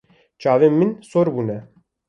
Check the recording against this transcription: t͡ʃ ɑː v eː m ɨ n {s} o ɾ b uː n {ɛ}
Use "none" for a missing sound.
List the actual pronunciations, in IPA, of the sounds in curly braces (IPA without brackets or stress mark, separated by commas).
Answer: s, ɛ